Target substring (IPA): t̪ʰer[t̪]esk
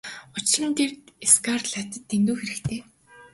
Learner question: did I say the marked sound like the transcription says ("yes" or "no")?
yes